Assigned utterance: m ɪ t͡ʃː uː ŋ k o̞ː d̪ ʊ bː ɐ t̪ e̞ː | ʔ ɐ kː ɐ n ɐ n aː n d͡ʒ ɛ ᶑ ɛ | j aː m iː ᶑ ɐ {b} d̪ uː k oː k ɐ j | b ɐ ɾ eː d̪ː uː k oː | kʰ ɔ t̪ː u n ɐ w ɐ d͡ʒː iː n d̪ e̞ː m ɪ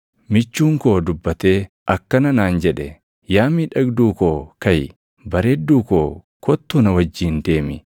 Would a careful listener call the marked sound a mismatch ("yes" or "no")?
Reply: yes